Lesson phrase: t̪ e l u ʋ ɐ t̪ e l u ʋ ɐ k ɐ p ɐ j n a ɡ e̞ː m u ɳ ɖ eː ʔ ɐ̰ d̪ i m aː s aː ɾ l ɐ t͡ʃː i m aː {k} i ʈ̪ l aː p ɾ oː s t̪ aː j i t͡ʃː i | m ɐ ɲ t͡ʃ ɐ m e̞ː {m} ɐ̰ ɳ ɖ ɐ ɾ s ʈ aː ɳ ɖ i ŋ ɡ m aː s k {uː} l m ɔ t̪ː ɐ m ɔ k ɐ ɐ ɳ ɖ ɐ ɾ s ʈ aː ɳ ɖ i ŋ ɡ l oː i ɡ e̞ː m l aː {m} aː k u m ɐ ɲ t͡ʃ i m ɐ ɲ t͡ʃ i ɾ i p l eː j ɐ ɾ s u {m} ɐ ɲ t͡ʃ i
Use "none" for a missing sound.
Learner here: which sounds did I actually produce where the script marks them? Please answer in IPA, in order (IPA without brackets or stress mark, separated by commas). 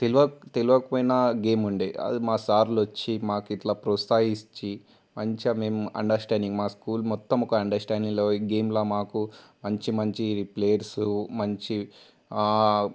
k, m, uː, m, m